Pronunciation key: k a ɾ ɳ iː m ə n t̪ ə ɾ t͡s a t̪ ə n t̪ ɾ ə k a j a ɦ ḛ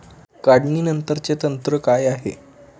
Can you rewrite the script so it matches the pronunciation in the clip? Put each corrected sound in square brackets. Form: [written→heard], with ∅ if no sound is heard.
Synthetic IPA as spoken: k a [ɾ→ɽ] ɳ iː [m→n] ə n t̪ ə ɾ t͡s [a→e] t̪ ə n t̪ ɾ ə k a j a ɦ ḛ